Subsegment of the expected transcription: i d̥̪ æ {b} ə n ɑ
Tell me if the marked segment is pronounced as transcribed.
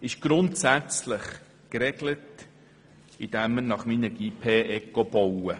no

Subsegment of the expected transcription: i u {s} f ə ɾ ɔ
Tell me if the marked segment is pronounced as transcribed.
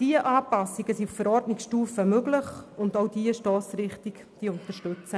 no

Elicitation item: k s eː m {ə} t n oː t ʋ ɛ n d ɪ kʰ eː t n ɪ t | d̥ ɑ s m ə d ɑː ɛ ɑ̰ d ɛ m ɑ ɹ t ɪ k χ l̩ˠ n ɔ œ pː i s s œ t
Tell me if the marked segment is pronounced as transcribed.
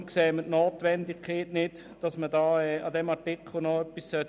yes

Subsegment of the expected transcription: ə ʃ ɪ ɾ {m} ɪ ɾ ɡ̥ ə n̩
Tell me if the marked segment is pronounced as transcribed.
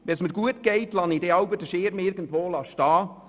yes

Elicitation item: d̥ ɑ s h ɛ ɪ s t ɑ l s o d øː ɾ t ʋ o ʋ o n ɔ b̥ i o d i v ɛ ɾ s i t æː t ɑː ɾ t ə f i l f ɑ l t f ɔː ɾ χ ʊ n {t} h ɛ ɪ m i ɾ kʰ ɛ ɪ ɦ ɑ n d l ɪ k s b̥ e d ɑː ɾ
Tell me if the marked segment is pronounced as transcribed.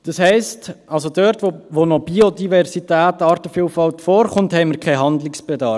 yes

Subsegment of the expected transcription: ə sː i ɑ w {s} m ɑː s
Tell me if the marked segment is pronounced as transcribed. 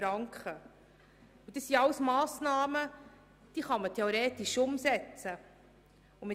yes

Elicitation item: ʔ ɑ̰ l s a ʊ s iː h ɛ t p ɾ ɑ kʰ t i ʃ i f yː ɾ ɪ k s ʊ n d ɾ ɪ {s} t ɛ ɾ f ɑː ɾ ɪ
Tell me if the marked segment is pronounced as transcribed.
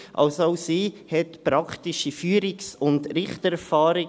no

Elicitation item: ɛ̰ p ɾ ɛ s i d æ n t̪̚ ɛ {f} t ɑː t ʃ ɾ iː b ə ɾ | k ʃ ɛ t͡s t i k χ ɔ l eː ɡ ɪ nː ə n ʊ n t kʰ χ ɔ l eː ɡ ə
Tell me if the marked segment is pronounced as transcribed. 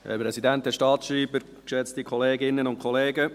no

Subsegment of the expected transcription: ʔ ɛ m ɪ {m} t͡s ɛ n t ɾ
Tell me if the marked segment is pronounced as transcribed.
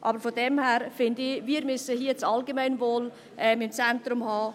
yes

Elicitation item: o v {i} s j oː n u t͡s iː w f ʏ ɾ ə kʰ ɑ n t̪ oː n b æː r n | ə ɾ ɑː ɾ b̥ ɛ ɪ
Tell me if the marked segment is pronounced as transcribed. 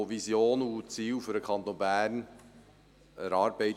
yes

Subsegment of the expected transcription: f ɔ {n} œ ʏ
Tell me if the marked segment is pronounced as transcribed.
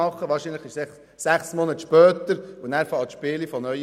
yes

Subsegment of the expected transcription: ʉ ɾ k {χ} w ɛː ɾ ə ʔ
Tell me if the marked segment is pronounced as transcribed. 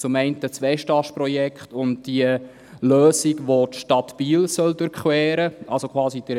yes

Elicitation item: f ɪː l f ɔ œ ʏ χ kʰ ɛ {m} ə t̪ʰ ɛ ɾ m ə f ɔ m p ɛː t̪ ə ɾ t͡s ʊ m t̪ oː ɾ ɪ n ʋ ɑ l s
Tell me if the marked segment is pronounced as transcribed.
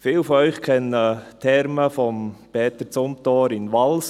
no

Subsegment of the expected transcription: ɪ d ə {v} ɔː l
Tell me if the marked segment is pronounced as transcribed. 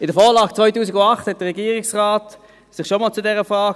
no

